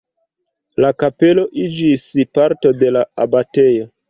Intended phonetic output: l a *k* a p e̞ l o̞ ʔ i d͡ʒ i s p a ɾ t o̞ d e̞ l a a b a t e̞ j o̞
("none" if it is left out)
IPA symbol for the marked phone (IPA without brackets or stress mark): k